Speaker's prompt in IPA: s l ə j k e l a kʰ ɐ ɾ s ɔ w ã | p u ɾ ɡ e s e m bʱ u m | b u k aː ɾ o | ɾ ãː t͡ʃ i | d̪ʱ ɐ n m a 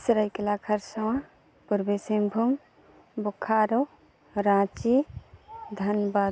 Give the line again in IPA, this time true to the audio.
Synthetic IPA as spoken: s ɾ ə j k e l a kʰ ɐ ɾ s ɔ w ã | p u ɾ b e s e m bʱ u m | b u kʰ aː ɾ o | ɾ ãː t͡ʃ i | d̪ʱ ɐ n b a